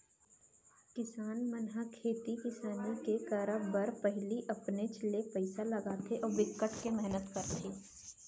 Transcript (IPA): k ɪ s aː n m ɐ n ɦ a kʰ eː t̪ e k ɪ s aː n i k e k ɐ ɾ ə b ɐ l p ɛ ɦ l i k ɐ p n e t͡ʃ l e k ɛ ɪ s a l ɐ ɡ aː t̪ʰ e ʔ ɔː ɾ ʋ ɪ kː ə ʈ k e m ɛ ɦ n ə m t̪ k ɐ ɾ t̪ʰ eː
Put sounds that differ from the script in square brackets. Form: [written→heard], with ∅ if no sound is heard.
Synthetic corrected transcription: k ɪ s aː n m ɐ n ɦ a kʰ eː t̪ [e→i] k ɪ s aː n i k e k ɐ ɾ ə b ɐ [l→ɾ] p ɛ ɦ l i [k→ʔ] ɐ p n e t͡ʃ l e [k→p] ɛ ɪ s a l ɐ ɡ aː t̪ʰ e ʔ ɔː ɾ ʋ ɪ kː ə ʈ k e m ɛ ɦ n ə [m→∅] t̪ k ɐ ɾ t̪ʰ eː